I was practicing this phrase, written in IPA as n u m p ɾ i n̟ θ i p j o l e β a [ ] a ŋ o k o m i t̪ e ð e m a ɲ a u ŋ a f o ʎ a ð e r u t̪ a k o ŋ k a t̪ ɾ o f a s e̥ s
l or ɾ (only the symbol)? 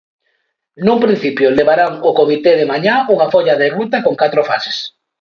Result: ɾ